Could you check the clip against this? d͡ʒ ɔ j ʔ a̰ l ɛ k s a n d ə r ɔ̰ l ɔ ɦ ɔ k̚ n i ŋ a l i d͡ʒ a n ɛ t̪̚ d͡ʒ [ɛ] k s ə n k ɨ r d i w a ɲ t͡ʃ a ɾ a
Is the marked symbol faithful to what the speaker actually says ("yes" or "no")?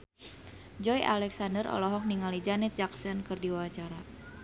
no